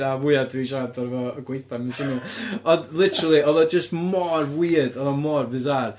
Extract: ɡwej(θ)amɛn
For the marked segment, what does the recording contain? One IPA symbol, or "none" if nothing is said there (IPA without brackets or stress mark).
θ